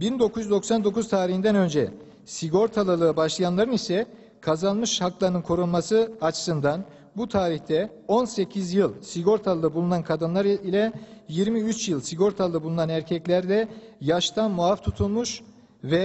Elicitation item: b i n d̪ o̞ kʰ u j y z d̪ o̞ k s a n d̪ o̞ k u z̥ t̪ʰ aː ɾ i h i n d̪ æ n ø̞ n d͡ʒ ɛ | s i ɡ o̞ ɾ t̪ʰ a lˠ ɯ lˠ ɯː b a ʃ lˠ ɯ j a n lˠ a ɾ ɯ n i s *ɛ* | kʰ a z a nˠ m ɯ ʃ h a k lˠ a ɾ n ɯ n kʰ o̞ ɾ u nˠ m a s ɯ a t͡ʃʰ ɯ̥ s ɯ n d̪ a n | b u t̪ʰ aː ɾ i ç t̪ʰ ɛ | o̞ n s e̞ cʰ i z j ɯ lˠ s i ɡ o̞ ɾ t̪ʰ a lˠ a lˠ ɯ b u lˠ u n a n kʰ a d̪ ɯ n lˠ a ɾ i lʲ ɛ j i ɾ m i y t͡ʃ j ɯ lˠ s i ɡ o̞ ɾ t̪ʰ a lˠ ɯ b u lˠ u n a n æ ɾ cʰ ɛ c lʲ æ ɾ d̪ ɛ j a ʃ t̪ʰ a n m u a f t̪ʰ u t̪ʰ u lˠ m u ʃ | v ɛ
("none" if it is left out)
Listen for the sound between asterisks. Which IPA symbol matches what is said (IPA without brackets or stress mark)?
ɛ